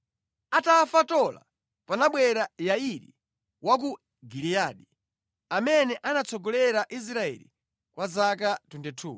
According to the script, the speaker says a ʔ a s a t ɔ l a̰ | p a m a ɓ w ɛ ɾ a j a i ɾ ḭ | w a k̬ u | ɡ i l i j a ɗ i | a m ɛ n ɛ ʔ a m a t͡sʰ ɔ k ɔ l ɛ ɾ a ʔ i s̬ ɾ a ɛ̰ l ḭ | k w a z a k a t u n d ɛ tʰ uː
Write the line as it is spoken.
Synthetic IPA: a t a f a t ɔ l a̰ | p a n a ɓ w ɛ ɾ a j a i ɾ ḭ | w a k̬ u | ɡ i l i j a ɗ i | a m ɛ n ɛ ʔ a n a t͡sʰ ɔ ɡ ɔ l ɛ ɾ a ʔ i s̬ ɾ a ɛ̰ l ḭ | k w a z a k a t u n d ɛ tʰ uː

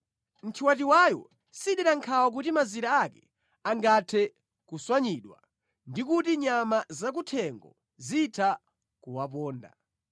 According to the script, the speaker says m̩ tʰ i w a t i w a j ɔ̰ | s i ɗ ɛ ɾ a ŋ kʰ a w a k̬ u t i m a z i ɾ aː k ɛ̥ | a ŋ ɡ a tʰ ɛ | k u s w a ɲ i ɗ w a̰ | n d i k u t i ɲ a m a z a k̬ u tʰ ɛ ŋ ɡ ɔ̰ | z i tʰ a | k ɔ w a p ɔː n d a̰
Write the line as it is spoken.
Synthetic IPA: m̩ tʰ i w a t i w a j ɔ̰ | s i ɗ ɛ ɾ a ŋ kʰ a w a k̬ u t i m a z i ɾ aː k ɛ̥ | a ŋ ɡ a tʰ ɛ | k u s w a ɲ i ɗ w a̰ | n d i k u t i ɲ a m a z a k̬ u tʰ ɛ ŋ ɡ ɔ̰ | z i tʰ a | k u w a p ɔː n d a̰

